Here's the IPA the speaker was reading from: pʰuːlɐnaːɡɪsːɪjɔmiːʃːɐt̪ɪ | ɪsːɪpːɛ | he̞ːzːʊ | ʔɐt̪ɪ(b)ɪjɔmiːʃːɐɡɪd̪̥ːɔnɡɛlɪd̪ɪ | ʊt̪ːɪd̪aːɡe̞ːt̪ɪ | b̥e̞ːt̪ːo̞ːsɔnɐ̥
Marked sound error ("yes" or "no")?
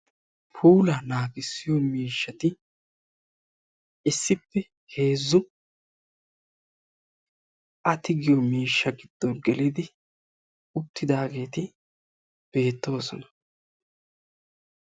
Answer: yes